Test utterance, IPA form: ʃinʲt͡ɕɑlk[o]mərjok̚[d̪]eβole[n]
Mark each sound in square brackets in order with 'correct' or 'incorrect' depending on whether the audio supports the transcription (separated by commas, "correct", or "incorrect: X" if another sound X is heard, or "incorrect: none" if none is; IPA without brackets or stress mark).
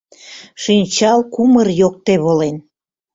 incorrect: u, incorrect: t̪, correct